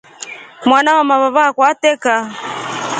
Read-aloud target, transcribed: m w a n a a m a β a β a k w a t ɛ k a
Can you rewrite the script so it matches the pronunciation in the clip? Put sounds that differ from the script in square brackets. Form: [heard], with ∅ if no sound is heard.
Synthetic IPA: m w a n a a m a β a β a k w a t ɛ k a